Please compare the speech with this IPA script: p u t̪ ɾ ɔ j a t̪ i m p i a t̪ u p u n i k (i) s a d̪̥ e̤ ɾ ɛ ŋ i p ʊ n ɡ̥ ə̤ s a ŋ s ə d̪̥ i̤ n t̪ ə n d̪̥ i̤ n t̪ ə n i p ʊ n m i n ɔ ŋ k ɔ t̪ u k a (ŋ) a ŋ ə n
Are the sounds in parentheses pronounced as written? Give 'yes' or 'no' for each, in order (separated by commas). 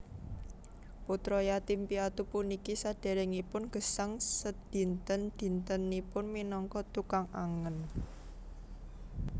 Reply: yes, yes